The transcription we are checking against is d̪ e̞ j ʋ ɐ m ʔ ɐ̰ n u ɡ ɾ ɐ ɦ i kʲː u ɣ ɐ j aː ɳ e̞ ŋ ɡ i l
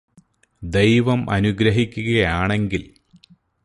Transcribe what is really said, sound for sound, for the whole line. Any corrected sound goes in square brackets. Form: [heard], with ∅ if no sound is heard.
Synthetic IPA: d̪ e̞ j ʋ ɐ m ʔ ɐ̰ n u ɡ ɾ ɐ ɦ i kʲː u ɣ ɐ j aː ɳ e̞ ŋ ɡ i l